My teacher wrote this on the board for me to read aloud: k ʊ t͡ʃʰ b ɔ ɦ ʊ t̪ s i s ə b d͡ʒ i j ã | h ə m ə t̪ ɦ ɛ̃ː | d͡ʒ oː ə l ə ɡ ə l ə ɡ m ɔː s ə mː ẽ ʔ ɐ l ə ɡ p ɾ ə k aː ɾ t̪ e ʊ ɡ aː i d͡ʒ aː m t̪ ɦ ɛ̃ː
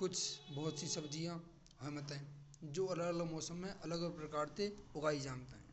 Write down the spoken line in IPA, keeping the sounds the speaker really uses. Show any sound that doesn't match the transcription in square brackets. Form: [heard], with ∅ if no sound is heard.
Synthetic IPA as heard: k ʊ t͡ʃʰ b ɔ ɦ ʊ t̪ s i s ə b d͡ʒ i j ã | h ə m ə t̪ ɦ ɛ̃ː | d͡ʒ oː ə l ə ɡ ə l ə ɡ m ɔː s ə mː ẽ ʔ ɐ l ə ɡ p ɾ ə k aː ɾ t̪ e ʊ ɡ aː i d͡ʒ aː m t̪ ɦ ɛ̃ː

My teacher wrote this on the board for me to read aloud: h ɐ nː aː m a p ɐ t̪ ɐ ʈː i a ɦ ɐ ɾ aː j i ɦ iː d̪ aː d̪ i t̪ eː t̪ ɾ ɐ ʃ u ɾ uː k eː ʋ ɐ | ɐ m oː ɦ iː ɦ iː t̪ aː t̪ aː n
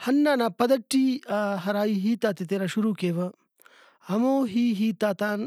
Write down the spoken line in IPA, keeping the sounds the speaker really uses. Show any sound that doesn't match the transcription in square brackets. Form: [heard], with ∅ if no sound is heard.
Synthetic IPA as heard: h ɐ nː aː [n] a p ɐ [d̪] ɐ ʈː i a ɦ ɐ ɾ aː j i ɦ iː [t̪] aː [t̪] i t̪ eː [∅] ɾ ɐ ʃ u ɾ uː k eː ʋ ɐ | ɐ m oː ɦ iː ɦ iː t̪ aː t̪ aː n

